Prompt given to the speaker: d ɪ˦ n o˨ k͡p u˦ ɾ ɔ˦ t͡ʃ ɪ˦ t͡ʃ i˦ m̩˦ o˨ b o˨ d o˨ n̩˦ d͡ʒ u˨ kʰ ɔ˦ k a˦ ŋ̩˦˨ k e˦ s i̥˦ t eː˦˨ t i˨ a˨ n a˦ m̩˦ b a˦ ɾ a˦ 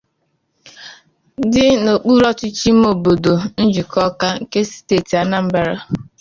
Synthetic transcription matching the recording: d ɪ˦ n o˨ k͡p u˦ ɾ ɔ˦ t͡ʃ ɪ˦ t͡ʃ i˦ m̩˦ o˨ b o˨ d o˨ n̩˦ d͡ʒ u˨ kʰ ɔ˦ k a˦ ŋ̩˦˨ k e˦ s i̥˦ t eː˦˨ t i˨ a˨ n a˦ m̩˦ b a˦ ɾ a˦